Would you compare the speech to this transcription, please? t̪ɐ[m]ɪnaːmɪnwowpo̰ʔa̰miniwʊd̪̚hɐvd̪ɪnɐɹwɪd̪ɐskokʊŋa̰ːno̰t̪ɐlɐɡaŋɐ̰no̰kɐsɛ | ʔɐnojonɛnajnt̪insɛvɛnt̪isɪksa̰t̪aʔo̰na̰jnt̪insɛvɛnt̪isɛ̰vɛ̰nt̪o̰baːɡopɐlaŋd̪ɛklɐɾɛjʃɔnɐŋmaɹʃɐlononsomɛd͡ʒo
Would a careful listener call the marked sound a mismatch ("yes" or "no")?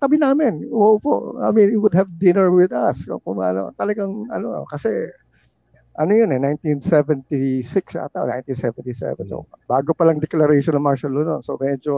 yes